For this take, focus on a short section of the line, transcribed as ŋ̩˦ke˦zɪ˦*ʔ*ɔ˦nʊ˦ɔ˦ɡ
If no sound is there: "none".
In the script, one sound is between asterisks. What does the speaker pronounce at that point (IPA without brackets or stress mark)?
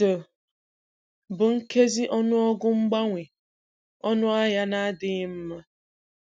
ʔ